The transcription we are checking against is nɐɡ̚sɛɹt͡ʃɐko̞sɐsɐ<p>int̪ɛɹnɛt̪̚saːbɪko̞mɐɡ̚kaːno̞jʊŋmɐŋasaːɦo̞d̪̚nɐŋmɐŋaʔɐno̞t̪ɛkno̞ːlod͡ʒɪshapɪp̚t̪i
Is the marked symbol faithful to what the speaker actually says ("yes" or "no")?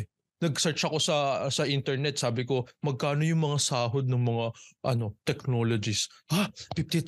no